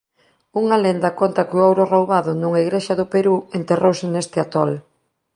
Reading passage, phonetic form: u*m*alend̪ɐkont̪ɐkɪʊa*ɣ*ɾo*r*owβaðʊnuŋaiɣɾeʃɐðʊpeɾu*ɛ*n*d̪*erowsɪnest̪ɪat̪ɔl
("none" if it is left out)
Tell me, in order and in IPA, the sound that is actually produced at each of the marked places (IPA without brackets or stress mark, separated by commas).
ŋ, w, r, e, t̪